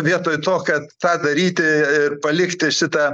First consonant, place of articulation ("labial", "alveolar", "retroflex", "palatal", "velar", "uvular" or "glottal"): labial